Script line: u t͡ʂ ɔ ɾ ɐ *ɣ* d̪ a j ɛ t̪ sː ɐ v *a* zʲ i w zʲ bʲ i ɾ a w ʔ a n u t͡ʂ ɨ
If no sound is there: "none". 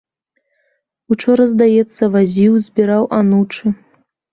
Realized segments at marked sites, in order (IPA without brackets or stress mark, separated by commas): z, a